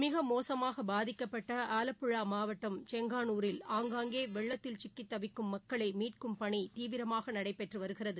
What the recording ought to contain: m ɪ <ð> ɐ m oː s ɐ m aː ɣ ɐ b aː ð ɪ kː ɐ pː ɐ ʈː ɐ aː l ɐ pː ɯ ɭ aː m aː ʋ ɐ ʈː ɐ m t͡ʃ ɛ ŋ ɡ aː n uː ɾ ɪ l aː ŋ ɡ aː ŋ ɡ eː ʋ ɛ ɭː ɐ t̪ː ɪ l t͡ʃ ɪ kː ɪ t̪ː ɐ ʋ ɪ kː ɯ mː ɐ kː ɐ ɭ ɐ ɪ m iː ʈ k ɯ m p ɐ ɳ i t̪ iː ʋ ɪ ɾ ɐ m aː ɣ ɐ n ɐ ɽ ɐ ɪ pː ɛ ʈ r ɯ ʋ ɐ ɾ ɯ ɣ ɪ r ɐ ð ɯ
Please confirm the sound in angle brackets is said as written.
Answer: no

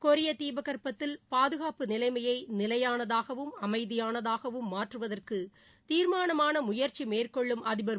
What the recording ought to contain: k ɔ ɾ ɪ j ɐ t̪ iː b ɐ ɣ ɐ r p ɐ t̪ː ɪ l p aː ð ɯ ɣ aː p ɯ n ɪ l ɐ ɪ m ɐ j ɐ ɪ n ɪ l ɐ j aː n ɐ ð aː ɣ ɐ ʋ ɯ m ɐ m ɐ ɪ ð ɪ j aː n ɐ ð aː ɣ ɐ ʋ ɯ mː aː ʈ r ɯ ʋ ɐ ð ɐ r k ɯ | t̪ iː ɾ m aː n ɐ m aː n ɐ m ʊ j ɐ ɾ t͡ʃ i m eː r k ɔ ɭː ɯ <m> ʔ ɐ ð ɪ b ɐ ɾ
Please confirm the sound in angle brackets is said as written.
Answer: yes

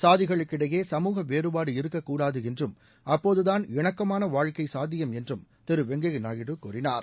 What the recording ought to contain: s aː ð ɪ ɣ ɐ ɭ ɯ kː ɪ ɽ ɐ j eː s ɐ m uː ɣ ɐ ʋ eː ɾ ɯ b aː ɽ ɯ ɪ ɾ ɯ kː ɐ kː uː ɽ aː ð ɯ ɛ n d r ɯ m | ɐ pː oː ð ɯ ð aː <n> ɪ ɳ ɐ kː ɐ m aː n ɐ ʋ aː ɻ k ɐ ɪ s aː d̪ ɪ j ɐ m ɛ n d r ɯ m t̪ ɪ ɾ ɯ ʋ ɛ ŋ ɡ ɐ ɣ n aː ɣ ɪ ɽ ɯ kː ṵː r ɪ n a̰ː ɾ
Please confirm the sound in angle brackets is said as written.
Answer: yes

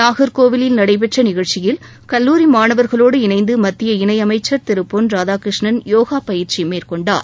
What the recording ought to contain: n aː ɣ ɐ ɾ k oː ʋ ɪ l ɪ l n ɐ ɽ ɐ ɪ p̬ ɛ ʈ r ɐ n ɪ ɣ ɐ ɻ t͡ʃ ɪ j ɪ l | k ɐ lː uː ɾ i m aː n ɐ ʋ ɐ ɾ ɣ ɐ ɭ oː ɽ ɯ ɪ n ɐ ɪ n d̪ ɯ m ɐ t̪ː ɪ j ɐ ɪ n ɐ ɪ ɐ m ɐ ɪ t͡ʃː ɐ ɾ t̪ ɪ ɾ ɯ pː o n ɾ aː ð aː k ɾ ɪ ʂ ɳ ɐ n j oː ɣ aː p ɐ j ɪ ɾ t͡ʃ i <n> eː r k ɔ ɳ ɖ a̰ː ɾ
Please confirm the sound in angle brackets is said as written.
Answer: no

